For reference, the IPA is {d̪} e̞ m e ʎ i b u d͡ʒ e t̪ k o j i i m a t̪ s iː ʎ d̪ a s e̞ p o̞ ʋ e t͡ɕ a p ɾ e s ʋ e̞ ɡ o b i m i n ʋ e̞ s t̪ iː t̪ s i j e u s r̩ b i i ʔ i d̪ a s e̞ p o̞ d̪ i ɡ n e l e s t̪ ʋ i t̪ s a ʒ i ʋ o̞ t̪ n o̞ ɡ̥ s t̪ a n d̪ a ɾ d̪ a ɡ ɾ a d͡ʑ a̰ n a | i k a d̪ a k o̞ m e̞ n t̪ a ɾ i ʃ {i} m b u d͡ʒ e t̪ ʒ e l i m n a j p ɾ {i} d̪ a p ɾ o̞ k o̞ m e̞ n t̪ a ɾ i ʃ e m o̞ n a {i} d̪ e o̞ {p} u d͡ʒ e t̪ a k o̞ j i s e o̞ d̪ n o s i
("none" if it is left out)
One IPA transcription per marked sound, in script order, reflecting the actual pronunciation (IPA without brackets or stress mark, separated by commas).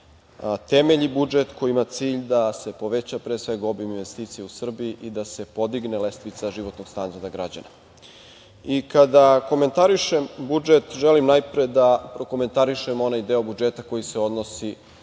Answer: t̪, e, e, j, b